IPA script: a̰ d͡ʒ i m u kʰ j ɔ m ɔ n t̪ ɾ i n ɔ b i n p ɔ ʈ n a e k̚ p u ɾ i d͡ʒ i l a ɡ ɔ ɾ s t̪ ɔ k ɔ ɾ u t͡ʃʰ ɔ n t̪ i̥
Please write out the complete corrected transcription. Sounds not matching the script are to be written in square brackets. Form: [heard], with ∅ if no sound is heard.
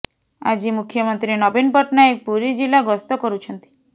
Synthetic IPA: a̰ d͡ʒ i m u kʰ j ɔ m ɔ n t̪ ɾ i n ɔ b i n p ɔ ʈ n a e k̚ p u ɾ i d͡ʒ i l a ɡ ɔ [∅] s t̪ ɔ k ɔ ɾ u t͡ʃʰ ɔ n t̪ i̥

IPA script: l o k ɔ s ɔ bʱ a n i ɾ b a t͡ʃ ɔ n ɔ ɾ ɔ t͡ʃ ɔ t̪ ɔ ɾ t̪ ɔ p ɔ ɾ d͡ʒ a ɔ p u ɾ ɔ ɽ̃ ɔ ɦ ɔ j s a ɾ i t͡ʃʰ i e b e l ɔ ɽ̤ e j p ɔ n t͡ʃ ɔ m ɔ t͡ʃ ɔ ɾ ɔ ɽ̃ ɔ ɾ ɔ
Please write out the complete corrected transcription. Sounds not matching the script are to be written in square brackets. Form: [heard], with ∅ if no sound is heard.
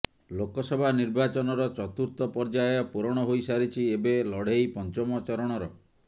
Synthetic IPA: l o k ɔ s ɔ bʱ a n i ɾ b a t͡ʃ ɔ n ɔ ɾ ɔ t͡ʃ ɔ t̪ [u] ɾ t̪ ɔ p ɔ ɾ d͡ʒ a ɔ p u ɾ ɔ ɽ̃ ɔ ɦ [o] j s a ɾ i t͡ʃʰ i e b e l ɔ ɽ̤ e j p ɔ n t͡ʃ ɔ m ɔ t͡ʃ ɔ ɾ ɔ ɽ̃ ɔ ɾ ɔ

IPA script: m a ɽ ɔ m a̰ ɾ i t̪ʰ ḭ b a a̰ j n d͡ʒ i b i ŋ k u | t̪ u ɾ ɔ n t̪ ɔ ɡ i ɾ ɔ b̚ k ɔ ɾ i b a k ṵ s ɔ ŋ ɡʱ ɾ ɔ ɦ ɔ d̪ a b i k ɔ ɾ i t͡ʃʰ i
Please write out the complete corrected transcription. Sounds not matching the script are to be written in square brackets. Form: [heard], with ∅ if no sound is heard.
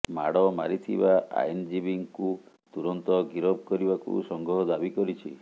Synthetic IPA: m a ɽ ɔ m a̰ ɾ i t̪ʰ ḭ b a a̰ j n d͡ʒ i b i ŋ k u | t̪ u ɾ ɔ n t̪ ɔ ɡ i ɾ ɔ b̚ k ɔ ɾ i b a k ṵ s ɔ ŋ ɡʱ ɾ ɔ ɦ ɔ d̪ a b i k ɔ ɾ i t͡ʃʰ i

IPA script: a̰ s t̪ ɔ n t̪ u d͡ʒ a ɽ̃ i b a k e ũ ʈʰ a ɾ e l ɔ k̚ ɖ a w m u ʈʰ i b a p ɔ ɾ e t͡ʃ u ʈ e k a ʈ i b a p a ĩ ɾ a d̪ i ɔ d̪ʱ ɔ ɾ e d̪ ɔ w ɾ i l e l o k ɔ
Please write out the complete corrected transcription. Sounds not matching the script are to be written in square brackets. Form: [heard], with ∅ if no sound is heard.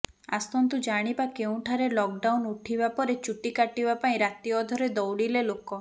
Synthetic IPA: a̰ s t̪ ɔ n t̪ u d͡ʒ a ɽ̃ i b a k e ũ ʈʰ a ɾ e l ɔ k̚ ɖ a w [n] u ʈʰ i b a p ɔ ɾ e t͡ʃ u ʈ [i] k a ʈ i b a p a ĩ ɾ a [t̪] i ɔ d̪ʱ ɔ ɾ e d̪ ɔ w [ɽ] i l e l o k ɔ

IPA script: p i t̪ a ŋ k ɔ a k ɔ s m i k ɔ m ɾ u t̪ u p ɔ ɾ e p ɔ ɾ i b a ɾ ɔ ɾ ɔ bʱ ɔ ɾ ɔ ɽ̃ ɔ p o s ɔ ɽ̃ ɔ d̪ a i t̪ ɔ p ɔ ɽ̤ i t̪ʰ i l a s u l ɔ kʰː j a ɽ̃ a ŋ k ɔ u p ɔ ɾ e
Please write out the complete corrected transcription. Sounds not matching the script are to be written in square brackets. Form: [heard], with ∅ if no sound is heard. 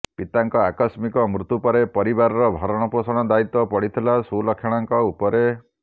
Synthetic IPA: p i t̪ a ŋ k ɔ a k ɔ s m i k ɔ m ɾ u t̪ u p ɔ ɾ e p ɔ ɾ i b a ɾ ɔ ɾ ɔ bʱ ɔ ɾ ɔ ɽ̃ ɔ p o s ɔ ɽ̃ ɔ d̪ a i t̪ ɔ p ɔ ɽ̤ i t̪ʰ i l a s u l ɔ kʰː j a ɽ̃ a ŋ k ɔ u p ɔ ɾ e

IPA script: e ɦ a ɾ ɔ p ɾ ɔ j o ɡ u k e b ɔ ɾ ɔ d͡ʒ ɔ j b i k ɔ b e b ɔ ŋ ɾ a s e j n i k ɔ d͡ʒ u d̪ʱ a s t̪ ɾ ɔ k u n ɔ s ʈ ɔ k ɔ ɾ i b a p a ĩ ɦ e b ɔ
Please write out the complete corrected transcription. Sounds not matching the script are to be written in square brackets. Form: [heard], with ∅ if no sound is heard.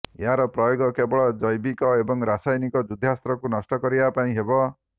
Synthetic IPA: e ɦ a ɾ ɔ p ɾ ɔ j o ɡ [ɔ] k e b ɔ [ɭ] ɔ d͡ʒ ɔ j b i k ɔ [∅] e b ɔ ŋ ɾ a s [a] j n i k ɔ d͡ʒ u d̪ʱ a s t̪ ɾ ɔ k u n ɔ s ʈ ɔ k ɔ ɾ i b a p a ĩ ɦ e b ɔ

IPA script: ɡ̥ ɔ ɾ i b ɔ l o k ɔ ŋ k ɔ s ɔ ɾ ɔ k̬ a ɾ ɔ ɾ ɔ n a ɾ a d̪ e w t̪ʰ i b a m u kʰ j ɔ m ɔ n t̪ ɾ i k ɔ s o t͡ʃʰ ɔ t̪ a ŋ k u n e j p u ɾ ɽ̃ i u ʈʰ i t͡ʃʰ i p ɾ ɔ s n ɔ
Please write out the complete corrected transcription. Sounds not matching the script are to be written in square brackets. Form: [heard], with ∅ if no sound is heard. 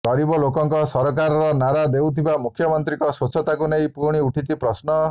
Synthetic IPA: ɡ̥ ɔ ɾ i b ɔ l o k ɔ ŋ k ɔ s ɔ ɾ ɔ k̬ a ɾ ɔ ɾ ɔ n a ɾ a d̪ e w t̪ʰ i b a m u kʰ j ɔ m ɔ n t̪ ɾ i k ɔ s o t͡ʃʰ ɔ t̪ a [∅] k u n e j p u ɾ ɽ̃ i u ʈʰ i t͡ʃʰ i p ɾ ɔ s n ɔ

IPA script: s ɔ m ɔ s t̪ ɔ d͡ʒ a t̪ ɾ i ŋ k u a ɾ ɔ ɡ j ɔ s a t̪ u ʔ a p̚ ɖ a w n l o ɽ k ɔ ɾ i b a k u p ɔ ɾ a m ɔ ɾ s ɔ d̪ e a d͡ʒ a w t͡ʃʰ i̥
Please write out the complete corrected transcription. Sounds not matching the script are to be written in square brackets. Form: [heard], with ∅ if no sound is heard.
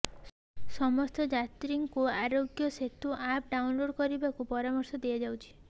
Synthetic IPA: s ɔ m ɔ s t̪ ɔ d͡ʒ a t̪ ɾ i ŋ k u a ɾ [o] ɡ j ɔ s [e] t̪ u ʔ a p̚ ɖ a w n l o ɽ k ɔ ɾ i b a k u p ɔ ɾ a m ɔ ɾ s ɔ d̪ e a d͡ʒ a w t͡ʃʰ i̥

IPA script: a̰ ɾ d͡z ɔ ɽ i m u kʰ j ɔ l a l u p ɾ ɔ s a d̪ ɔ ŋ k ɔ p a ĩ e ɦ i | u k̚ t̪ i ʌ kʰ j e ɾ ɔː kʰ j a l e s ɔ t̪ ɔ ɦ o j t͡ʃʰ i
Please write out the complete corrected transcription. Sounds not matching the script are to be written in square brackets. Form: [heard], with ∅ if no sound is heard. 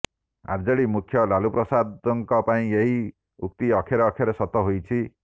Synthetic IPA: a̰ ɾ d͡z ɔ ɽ i m u kʰ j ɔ l a l u p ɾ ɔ s a d̪ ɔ ŋ k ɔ p a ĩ e ɦ i | u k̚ t̪ i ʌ kʰ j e ɾ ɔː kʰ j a [ɾ] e s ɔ t̪ ɔ ɦ o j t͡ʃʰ i

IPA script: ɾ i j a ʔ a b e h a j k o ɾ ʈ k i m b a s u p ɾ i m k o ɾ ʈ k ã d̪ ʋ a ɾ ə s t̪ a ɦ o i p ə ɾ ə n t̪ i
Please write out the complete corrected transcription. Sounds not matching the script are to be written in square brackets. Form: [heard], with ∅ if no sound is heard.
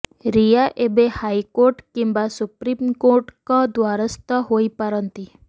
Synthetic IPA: ɾ i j a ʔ [e] b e h a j k o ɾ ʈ k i m b a s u p ɾ i m k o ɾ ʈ k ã d̪ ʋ a ɾ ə s t̪ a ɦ o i p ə ɾ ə n t̪ i

